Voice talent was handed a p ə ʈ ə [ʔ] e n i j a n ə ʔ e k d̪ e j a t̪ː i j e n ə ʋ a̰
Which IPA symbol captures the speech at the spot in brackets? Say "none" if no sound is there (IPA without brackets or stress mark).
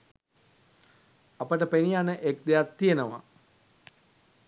p